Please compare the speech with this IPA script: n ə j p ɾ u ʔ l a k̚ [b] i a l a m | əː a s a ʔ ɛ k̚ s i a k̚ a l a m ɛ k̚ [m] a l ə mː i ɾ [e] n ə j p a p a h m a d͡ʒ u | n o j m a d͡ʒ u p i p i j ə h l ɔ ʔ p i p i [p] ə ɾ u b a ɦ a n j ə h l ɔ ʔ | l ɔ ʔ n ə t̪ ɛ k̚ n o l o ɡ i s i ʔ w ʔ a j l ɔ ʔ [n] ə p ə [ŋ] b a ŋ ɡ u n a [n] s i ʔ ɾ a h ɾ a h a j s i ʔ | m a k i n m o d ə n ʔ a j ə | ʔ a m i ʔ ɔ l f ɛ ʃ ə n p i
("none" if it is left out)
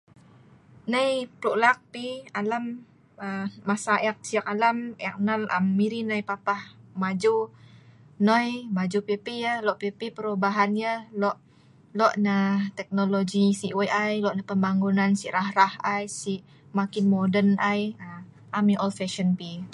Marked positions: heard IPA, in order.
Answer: p, n, i, p, n, m, n

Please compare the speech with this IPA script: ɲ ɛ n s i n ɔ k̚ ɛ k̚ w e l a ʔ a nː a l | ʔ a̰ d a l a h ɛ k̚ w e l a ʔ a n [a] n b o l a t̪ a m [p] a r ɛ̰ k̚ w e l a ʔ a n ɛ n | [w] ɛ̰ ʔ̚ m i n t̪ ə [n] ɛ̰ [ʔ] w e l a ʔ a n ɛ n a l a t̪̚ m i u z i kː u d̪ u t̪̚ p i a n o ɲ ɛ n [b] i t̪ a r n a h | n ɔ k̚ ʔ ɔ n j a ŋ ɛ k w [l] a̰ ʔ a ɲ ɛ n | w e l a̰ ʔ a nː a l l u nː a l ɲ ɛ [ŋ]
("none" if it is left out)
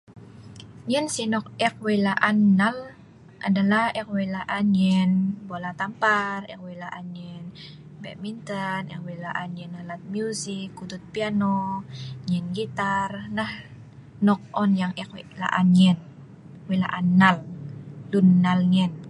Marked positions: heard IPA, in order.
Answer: ɛ, p, b, n, k, ɡ, l, n

